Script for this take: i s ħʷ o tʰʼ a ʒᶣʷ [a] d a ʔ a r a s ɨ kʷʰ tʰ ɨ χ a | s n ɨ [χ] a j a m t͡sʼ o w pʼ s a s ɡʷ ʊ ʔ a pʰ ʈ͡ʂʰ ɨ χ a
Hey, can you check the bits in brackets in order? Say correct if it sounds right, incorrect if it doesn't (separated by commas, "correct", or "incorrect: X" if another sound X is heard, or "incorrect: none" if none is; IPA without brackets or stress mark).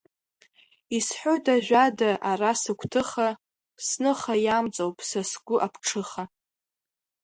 correct, correct